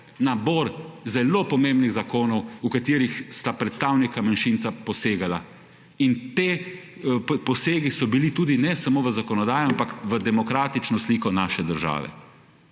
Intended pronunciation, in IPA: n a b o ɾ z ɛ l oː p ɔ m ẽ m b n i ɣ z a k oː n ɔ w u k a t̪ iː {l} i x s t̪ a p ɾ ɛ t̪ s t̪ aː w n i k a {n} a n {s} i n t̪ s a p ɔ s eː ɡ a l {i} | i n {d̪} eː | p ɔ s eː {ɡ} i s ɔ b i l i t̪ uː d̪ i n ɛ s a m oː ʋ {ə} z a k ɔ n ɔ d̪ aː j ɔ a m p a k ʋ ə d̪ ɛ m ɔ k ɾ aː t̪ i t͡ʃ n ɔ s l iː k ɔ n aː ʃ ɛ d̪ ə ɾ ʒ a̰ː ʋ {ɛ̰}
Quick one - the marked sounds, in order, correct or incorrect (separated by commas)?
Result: incorrect, incorrect, incorrect, incorrect, incorrect, correct, correct, correct